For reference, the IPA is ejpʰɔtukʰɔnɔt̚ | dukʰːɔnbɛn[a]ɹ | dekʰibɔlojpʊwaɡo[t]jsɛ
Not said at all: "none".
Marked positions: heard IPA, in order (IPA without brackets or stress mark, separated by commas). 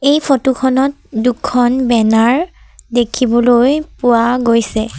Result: a, none